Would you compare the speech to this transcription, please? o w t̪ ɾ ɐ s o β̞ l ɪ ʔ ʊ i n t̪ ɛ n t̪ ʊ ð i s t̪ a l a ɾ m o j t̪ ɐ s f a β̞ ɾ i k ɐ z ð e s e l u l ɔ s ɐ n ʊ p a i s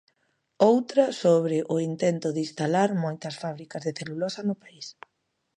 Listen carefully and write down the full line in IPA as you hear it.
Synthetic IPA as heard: o w t̪ ɾ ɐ s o β̞ ɾ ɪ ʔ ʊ i n t̪ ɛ n t̪ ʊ ð i s t̪ a l a ɾ m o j t̪ ɐ s f a β̞ ɾ i k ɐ z ð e θ e l u l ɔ s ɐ n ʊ p a i s